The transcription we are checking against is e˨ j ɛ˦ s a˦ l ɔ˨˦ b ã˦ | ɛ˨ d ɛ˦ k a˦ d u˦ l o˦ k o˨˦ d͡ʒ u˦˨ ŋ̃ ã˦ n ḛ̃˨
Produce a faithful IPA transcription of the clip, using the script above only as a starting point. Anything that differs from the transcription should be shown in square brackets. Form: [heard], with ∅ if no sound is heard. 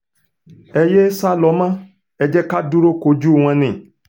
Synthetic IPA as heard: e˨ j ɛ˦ s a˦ l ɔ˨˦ [m] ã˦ | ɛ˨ [d͡ʒ] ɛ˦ k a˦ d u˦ [ɾ] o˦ k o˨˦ d͡ʒ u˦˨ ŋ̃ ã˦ n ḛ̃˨